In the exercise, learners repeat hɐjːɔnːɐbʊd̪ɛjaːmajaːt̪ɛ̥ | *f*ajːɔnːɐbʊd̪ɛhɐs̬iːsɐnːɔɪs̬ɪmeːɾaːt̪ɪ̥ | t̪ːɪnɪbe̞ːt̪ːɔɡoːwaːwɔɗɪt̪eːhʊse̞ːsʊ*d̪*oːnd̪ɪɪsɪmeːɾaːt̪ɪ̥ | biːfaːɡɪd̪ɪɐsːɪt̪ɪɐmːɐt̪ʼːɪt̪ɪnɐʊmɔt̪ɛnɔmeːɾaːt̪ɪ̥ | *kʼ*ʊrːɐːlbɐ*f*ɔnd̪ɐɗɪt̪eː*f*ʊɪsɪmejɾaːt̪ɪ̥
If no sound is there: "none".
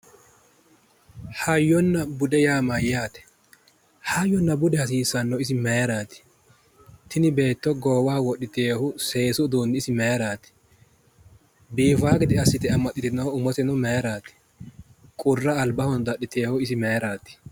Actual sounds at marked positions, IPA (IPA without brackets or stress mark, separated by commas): h, d̪, kʼ, h, h